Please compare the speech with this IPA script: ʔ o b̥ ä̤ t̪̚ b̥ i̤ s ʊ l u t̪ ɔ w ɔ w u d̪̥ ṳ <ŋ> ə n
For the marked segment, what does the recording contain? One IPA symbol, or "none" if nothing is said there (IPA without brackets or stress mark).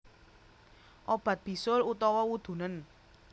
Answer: n